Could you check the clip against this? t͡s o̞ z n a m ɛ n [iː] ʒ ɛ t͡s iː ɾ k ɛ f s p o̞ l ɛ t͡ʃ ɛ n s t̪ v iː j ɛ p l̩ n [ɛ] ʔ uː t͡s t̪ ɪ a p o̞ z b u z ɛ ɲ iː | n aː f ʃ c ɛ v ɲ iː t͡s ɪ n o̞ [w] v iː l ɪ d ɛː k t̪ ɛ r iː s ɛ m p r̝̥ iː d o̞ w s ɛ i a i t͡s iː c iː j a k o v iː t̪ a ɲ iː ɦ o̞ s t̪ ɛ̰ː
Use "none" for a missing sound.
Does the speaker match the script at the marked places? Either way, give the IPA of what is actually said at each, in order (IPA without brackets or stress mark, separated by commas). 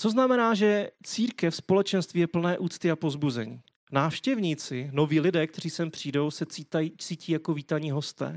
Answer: aː, ɛː, none